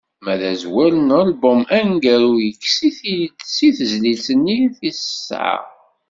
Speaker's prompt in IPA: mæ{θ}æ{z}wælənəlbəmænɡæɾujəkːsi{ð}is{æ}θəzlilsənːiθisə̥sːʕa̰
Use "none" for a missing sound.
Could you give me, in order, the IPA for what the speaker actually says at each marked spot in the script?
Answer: ð, z, θ, i

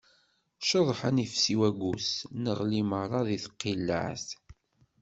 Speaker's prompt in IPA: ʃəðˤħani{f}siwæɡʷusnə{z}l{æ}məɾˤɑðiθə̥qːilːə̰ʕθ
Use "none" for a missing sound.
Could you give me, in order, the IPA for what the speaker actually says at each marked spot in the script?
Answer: f, ʁ, i

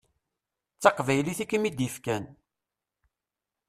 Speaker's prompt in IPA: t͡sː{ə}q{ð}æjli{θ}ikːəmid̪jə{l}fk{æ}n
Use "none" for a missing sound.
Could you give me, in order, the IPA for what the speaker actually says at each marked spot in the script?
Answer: ɑ, v, θ, none, æ

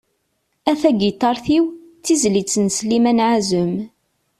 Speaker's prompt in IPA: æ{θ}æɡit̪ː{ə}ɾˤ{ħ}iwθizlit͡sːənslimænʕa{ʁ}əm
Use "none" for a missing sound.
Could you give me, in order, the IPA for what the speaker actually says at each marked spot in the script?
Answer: θ, ɑ, θ, z

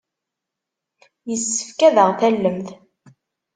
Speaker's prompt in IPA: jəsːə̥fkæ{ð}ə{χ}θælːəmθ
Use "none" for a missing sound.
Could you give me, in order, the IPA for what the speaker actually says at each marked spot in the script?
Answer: ð, ʁ

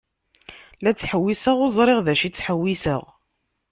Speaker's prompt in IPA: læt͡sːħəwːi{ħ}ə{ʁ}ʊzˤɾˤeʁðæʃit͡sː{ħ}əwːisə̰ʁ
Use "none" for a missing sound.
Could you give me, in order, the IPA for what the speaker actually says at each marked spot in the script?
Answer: s, ʁ, ħ

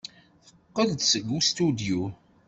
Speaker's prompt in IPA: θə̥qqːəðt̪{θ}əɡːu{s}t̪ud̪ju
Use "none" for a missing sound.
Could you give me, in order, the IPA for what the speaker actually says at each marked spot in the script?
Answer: s, s

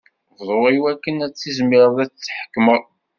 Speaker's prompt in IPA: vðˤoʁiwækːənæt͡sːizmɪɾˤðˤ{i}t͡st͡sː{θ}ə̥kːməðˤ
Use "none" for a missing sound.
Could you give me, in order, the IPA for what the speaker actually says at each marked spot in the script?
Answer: æ, ħ

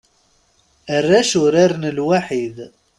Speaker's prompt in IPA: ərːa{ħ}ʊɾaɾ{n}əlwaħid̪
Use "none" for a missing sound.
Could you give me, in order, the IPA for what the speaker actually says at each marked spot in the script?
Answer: ʃ, n

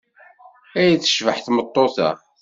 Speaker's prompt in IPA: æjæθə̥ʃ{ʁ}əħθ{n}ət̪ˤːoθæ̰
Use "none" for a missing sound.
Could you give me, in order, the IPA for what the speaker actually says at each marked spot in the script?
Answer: v, m

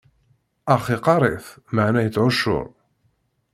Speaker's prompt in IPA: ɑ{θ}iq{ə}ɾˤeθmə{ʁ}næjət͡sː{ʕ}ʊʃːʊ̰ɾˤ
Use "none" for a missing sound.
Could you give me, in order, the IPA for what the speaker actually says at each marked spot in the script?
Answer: χ, ɑ, ʕ, ʕ

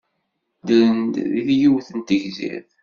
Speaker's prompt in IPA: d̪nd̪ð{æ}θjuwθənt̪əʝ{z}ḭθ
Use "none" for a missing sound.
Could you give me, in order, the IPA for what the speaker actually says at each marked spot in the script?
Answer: i, z

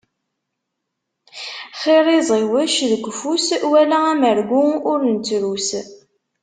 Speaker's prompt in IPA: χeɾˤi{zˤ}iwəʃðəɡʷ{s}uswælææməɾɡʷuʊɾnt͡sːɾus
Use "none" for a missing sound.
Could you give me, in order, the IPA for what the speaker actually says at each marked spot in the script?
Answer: zˤ, f

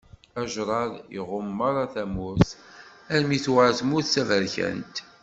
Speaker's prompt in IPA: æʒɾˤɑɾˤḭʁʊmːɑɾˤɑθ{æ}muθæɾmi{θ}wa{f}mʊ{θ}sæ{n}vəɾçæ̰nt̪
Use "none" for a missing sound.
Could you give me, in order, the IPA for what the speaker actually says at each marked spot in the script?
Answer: æ, θ, θ, θ, none

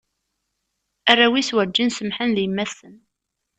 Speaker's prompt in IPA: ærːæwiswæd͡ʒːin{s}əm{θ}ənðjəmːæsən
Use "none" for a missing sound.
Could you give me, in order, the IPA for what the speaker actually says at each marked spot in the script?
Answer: s, ħ

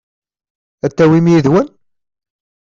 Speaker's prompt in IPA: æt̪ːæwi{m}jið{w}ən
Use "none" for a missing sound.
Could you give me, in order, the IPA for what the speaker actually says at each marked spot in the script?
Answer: m, w

